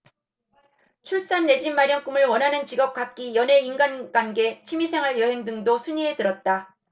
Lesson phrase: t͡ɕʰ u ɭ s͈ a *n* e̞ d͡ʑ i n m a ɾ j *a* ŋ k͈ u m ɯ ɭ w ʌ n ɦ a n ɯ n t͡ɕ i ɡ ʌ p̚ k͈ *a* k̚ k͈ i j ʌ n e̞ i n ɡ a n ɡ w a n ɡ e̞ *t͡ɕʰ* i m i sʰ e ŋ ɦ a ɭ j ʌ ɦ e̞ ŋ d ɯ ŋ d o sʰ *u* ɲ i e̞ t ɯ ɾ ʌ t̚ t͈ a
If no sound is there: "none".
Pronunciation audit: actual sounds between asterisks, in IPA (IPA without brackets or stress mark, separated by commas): nː, ʌ, a, t͡ɕʰ, u